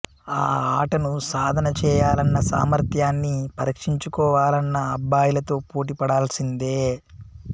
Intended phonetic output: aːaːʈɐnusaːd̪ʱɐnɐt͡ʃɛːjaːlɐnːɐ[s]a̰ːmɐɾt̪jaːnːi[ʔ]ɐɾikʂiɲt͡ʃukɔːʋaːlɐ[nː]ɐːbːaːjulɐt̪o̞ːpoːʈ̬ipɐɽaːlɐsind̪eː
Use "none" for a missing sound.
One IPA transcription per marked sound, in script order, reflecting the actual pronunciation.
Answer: s, p, nː

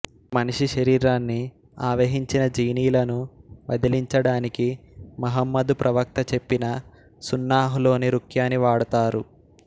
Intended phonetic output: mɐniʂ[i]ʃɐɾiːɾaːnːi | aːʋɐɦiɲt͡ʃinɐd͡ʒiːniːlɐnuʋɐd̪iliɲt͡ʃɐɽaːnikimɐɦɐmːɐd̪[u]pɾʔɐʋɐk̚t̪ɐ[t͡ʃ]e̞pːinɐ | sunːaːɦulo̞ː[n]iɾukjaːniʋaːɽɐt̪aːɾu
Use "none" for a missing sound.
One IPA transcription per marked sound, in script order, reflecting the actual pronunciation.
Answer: i, u, t͡ʃ, n

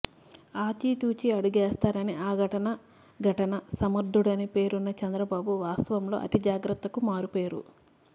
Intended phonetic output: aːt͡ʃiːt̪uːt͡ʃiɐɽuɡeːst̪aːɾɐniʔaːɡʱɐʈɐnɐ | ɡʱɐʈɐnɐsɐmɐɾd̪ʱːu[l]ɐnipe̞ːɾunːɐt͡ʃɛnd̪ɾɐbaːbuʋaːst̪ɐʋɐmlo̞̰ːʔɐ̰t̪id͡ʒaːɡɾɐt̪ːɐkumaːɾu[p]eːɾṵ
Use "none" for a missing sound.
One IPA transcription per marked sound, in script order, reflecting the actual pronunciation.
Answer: ɽ, p

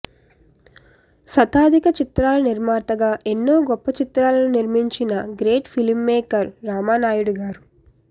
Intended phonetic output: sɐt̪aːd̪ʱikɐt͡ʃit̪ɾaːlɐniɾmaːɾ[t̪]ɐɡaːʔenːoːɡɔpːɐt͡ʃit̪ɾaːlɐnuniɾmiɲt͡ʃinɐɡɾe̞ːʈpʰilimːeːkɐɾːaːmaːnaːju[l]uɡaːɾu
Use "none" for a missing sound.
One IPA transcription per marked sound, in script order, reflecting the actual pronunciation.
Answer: t̪, ɽ

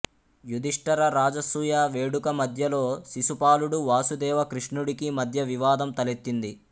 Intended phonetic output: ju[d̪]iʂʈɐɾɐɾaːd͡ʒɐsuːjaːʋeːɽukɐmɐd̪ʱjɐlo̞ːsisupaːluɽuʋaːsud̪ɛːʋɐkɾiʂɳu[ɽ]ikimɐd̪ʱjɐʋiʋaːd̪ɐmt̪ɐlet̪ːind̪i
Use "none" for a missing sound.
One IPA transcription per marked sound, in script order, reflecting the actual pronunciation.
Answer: d̪, ɽ

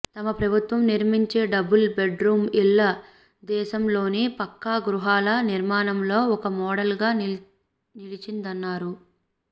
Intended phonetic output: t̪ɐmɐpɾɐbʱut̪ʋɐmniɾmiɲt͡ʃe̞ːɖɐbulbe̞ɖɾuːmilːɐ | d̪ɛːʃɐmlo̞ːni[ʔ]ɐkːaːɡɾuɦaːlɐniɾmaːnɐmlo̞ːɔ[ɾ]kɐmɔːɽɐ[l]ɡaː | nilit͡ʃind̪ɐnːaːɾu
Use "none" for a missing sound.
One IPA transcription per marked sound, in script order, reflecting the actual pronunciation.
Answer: p, none, l

